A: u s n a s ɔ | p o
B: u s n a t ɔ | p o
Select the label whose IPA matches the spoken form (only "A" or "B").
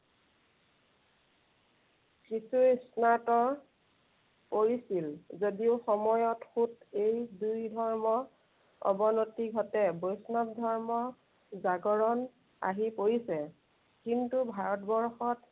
B